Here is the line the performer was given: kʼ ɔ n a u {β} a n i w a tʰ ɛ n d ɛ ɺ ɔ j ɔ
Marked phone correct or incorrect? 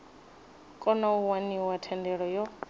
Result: incorrect: w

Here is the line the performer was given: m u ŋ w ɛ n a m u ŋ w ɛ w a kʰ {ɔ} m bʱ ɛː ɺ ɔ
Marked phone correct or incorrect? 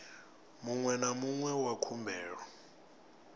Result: incorrect: u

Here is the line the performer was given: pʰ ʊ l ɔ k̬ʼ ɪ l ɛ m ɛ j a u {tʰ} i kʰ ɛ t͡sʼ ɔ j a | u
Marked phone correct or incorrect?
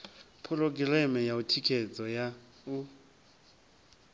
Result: correct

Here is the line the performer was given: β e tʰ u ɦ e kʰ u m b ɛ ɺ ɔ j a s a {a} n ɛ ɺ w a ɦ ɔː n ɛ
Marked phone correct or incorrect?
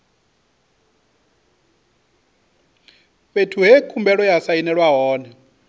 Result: incorrect: i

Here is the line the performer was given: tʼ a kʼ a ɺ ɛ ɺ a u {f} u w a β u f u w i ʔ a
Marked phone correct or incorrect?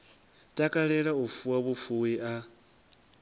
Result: correct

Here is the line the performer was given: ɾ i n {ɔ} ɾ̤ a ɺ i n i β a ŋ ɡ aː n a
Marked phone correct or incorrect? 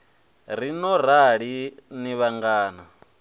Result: correct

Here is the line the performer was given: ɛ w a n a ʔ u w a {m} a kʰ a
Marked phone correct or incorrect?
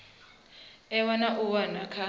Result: incorrect: n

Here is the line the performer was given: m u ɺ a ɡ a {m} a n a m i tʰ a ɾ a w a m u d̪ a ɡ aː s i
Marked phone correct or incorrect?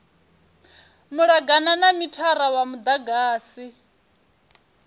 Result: incorrect: n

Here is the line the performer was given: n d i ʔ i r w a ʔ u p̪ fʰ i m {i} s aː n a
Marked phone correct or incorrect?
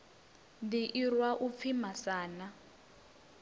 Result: incorrect: a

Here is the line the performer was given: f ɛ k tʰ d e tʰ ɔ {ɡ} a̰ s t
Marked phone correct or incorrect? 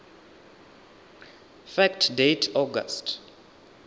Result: correct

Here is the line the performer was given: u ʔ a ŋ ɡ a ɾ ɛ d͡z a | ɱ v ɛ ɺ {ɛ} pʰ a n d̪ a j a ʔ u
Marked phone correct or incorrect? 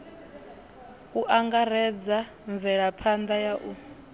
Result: incorrect: a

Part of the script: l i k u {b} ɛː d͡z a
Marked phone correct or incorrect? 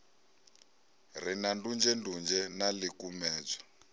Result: incorrect: m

